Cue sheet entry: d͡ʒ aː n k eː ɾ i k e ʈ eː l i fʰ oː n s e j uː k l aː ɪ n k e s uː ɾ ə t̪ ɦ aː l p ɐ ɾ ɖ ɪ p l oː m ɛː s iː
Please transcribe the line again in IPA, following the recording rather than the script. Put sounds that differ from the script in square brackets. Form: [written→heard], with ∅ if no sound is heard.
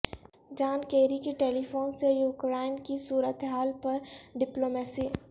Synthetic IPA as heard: d͡ʒ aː n k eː ɾ i k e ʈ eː l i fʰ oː n s e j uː k [l→ɾ] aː ɪ n k [e→i] s uː ɾ ə t̪ ɦ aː l p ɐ ɾ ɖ ɪ p l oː m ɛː s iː